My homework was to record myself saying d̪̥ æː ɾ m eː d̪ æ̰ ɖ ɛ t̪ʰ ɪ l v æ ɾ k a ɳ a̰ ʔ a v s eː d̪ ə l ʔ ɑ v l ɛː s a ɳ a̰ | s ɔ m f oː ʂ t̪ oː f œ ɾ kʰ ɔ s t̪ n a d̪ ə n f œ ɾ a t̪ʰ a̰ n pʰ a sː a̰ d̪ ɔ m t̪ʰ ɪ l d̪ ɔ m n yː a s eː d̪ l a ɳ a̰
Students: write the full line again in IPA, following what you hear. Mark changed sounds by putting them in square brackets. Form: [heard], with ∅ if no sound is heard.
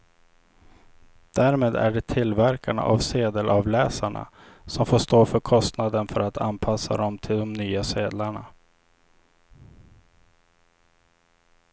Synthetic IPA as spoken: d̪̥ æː ɾ m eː d̪ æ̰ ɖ ɛ t̪ʰ ɪ l v æ ɾ k a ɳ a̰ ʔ a v s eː d̪ ə l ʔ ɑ v l ɛː s a ɳ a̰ | s ɔ m f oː ʂ t̪ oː f œ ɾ kʰ ɔ s t̪ n a d̪ ə n f œ ɾ a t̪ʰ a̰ n pʰ a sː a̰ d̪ ɔ m t̪ʰ ɪ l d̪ ɔ m n yː a s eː d̪ l a ɳ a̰